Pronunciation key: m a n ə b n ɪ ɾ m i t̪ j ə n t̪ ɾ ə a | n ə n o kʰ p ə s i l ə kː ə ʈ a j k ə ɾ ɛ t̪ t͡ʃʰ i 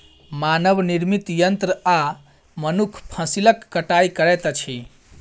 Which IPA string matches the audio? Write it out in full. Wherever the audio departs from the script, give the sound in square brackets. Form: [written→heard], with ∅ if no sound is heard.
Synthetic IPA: m a n ə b n [ɪ→i] ɾ m i t̪ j ə n t̪ ɾ ə a | [n→m] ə n [o→u] kʰ [p→pʰ] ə s i l ə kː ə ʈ a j k ə ɾ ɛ t̪ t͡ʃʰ i